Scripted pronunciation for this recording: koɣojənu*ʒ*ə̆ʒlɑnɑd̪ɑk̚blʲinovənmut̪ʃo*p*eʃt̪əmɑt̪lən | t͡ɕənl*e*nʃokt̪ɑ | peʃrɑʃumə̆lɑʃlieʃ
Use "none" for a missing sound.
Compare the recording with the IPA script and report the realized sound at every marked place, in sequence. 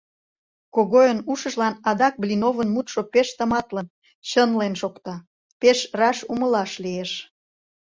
ʃ, p, e

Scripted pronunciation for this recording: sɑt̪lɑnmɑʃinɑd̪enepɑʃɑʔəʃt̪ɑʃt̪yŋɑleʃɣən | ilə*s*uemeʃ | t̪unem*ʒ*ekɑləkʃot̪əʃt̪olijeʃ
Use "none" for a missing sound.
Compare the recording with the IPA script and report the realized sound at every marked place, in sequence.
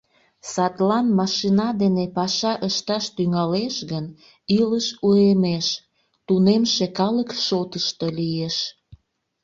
ʃ, ʃ

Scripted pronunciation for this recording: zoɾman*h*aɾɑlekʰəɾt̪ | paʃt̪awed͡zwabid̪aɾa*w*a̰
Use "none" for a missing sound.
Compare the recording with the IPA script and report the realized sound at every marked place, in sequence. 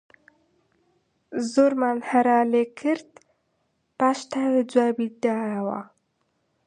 h, w

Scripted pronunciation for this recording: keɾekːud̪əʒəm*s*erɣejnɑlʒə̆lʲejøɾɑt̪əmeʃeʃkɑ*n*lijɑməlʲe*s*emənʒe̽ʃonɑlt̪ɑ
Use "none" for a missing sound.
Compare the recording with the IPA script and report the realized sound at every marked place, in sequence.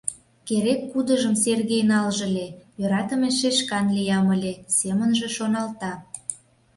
s, n, s

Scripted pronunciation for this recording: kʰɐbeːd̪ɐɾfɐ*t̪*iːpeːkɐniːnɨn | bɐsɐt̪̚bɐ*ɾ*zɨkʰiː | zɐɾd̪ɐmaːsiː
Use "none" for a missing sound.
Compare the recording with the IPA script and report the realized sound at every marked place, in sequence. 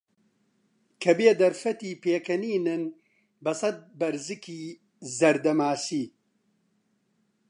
t̪, ɾ

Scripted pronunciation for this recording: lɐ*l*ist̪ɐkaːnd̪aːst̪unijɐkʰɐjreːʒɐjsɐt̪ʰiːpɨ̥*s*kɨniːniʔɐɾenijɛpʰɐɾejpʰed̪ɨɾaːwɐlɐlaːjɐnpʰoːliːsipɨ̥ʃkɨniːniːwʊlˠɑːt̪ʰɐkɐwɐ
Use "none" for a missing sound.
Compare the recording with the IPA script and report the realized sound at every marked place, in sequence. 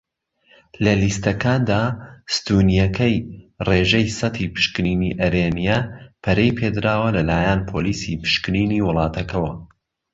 l, ʃ

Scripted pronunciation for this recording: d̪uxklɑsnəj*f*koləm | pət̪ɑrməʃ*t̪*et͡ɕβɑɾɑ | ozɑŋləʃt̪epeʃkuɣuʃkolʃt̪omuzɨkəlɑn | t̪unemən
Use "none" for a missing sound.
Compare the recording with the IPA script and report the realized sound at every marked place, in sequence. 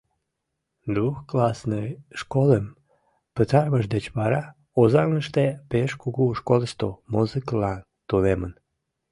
ʃ, d̪

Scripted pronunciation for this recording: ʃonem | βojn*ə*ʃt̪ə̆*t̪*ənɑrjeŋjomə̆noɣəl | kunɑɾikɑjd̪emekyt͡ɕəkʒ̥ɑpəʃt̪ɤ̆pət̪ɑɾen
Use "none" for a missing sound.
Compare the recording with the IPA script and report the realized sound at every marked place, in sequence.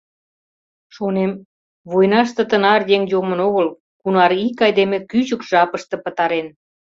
ɑ, t̪

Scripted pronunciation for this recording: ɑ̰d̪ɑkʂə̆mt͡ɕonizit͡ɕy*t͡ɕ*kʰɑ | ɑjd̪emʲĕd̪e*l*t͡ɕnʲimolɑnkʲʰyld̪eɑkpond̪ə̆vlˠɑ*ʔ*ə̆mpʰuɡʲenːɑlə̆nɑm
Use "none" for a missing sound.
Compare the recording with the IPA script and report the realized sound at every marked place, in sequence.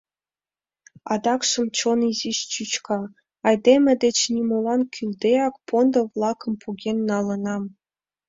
t͡ɕ, none, k

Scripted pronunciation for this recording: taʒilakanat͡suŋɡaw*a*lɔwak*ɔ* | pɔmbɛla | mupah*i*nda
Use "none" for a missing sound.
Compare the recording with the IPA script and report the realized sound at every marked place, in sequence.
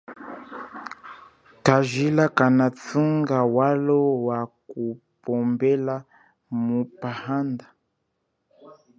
a, u, a

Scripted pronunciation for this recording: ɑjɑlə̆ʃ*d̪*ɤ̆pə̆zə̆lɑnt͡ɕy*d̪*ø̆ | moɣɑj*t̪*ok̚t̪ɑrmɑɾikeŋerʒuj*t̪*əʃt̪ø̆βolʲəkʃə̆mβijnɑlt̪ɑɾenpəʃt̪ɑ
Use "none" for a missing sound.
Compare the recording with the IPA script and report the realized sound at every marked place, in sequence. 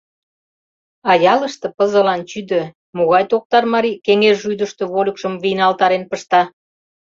t̪, d̪, t̪, d̪

